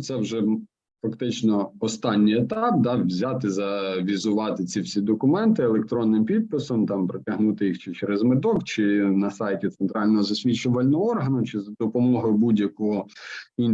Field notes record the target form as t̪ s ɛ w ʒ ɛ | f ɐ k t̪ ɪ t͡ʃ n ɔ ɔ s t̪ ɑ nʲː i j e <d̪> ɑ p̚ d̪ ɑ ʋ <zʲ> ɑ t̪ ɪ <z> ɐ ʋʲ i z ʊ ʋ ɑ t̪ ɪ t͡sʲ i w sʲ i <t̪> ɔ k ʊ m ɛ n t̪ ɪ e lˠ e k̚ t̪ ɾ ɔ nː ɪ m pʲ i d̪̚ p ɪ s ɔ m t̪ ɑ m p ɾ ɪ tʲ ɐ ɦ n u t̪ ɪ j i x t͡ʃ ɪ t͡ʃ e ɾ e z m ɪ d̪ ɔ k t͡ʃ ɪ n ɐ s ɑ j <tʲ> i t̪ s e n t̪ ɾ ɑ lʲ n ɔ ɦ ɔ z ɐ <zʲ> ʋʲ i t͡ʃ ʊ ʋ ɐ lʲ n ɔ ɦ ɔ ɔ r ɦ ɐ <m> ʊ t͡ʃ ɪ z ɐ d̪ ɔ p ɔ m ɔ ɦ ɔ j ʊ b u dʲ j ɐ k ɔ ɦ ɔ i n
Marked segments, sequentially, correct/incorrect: incorrect, correct, correct, incorrect, correct, incorrect, incorrect

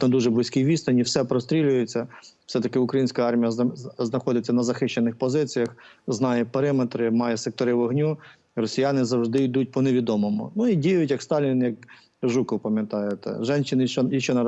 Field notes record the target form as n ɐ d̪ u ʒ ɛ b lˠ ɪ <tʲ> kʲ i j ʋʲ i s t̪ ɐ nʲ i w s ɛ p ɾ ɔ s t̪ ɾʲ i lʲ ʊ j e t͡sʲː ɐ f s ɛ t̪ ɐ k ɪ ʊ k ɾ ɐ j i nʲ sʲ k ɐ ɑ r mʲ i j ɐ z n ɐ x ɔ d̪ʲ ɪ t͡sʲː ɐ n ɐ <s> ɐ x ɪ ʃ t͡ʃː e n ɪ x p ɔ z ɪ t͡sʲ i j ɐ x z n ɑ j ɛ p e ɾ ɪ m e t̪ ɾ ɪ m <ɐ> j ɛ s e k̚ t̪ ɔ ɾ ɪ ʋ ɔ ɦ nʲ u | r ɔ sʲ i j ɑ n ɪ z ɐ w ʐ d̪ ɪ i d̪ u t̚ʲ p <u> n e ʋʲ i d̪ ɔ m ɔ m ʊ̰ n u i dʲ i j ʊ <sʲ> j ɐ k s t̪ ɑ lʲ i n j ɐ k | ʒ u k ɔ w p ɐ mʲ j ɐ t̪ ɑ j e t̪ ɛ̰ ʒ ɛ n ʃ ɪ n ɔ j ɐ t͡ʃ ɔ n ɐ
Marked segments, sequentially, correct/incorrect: incorrect, incorrect, incorrect, incorrect, incorrect

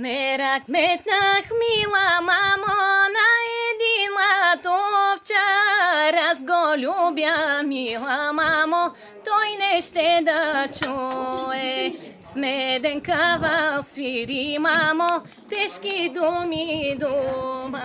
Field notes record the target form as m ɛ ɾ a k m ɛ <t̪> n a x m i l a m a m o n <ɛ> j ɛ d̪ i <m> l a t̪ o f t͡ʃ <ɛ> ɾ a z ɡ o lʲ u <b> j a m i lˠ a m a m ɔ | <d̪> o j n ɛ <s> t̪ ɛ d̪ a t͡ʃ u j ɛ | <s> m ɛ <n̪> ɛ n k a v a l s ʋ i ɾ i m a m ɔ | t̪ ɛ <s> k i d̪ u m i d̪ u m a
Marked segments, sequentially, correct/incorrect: correct, incorrect, incorrect, incorrect, correct, incorrect, incorrect, correct, incorrect, incorrect

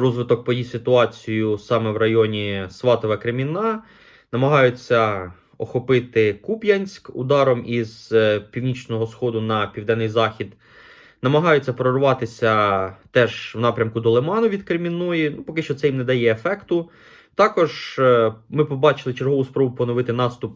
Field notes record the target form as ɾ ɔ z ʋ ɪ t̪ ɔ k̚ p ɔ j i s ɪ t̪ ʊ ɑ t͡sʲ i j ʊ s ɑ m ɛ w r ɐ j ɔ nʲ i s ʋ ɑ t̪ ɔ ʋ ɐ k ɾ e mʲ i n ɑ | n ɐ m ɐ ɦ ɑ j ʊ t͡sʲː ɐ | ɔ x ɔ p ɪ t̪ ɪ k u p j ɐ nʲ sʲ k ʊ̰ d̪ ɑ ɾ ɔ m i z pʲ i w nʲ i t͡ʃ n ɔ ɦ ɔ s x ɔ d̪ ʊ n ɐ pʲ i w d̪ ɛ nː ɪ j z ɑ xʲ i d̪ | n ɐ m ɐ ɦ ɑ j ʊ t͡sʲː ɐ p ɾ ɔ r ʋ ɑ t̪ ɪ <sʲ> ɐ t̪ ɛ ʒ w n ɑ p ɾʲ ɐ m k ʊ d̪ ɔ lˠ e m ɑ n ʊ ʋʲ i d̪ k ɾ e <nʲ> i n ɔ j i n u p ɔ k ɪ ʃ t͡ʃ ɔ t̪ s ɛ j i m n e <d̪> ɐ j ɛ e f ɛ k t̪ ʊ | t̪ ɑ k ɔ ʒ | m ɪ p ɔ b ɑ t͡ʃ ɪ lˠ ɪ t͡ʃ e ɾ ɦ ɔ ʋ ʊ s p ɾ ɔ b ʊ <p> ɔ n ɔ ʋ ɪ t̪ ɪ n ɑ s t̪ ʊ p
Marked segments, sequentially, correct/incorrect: correct, incorrect, correct, correct

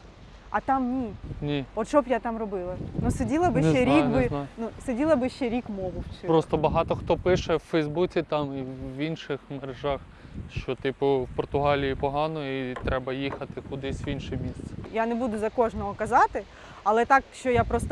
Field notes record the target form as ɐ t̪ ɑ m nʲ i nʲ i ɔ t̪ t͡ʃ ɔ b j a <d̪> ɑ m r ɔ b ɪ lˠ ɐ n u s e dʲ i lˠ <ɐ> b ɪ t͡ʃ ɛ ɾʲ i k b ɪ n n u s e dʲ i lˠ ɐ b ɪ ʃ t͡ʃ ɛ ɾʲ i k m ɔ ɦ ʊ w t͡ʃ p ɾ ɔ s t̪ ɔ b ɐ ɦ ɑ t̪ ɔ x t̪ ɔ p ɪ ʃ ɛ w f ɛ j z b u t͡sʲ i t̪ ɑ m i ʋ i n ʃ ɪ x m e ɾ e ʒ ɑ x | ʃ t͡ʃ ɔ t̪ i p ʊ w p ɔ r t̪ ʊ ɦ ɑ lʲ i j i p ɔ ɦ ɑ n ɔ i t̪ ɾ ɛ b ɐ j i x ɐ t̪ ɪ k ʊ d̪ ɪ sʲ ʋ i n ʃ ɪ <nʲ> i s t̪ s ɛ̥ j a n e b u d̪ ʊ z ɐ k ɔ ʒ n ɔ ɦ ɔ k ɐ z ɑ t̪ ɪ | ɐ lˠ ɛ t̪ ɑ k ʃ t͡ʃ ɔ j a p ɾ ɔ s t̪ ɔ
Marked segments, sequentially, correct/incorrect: incorrect, correct, incorrect

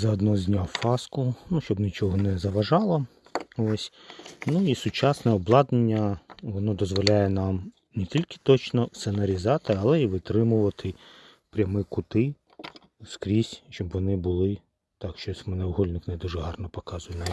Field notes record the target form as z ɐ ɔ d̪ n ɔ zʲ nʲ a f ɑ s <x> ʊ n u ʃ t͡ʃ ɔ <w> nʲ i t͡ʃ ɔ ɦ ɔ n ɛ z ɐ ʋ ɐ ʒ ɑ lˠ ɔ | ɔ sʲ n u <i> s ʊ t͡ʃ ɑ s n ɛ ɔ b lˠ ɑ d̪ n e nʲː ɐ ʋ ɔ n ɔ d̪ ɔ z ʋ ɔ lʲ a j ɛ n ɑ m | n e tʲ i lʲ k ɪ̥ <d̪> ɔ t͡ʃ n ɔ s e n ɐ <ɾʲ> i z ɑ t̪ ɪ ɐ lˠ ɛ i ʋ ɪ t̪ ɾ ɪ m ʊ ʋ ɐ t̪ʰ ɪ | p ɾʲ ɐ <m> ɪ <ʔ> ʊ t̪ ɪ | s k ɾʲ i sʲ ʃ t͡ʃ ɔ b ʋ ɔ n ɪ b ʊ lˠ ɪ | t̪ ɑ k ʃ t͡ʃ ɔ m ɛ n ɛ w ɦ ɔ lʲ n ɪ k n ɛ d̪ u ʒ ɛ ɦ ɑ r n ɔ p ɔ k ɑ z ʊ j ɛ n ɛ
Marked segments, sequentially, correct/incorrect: incorrect, incorrect, correct, incorrect, correct, correct, incorrect

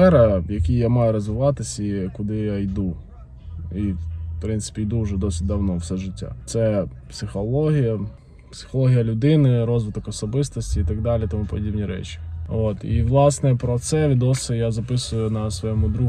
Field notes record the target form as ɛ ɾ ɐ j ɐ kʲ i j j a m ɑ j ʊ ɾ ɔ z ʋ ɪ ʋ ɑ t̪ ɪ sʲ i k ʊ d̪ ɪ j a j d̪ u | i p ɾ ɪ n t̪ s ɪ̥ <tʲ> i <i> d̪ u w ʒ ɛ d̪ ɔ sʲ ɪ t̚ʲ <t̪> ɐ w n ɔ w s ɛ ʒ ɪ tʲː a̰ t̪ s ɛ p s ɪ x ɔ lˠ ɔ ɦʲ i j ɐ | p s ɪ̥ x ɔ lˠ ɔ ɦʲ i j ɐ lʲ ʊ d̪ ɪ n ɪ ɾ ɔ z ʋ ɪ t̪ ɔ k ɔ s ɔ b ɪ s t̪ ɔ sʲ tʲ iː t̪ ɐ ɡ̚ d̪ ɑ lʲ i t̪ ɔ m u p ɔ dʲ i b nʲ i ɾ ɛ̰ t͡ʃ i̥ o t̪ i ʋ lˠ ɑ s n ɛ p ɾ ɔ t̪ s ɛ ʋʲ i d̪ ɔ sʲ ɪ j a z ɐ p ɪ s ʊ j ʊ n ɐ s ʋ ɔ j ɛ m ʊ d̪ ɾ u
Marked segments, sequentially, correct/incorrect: incorrect, incorrect, incorrect

